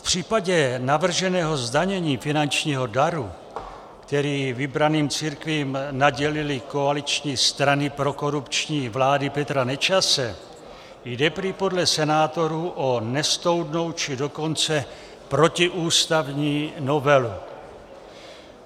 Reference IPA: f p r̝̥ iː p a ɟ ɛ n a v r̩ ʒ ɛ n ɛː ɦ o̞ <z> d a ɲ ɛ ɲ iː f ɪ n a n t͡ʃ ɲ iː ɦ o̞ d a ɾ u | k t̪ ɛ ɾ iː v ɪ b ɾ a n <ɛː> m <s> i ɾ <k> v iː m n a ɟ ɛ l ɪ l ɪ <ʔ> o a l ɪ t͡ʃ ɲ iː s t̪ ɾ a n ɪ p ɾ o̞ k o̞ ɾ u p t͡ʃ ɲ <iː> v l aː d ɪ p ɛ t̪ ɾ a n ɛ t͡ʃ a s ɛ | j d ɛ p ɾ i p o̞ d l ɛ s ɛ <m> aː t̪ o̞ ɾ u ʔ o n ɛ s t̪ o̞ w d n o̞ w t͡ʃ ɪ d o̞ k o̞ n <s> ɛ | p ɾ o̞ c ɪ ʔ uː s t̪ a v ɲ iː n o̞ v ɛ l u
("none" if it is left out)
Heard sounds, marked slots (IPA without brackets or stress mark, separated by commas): z, iː, t͡s, k, k, iː, n, t͡s